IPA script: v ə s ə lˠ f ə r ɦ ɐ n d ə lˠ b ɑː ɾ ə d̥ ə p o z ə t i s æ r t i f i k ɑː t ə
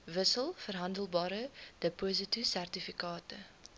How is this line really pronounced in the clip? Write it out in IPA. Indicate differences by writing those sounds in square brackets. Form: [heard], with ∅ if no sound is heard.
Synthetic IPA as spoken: v ə s ə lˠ f ə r ɦ ɐ n d ə lˠ b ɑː ɾ ə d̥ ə p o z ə t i s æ r t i f i k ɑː t ə